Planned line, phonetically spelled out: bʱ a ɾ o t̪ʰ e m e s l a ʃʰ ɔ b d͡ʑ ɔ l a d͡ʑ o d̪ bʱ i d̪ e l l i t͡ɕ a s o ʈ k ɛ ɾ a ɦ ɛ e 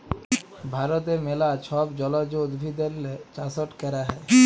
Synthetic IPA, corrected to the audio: bʱ a ɾ o t̪ e m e l a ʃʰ ɔ b d͡ʑ ɔ l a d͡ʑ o d̪ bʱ i d̪ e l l e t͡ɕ a s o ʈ k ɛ ɾ a ɦ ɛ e